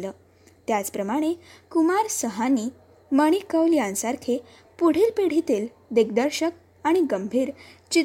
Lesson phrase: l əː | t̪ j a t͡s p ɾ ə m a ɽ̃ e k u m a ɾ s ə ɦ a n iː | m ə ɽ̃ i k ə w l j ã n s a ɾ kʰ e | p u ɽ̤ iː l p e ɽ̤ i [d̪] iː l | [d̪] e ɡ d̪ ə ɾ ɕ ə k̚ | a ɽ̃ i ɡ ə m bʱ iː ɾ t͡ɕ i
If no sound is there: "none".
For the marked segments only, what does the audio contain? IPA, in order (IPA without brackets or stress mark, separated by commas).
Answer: t̪, d̪